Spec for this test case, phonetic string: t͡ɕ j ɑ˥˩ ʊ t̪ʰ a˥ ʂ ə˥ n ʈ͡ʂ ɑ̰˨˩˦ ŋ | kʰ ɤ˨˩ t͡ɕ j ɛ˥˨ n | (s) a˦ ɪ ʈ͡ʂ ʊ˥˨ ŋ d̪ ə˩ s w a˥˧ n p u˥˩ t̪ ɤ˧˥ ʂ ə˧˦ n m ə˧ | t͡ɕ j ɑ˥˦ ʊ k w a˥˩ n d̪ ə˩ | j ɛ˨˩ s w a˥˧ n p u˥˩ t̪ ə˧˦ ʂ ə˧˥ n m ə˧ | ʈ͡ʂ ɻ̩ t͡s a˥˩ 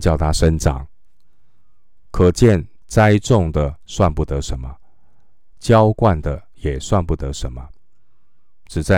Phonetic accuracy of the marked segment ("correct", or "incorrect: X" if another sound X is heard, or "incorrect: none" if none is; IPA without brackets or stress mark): incorrect: t͡s